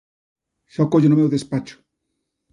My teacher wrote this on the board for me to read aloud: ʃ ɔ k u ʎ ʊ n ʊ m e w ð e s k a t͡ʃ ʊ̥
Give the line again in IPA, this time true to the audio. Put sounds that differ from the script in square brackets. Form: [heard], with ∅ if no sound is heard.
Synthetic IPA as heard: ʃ ɔ k [o] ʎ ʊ n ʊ m e w ð e s [p] a t͡ʃ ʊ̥